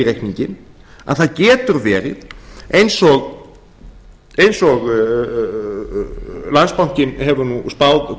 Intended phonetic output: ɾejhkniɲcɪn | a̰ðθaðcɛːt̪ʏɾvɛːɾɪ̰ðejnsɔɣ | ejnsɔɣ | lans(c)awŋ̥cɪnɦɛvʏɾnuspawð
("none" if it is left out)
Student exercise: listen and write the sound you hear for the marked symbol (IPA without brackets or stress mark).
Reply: p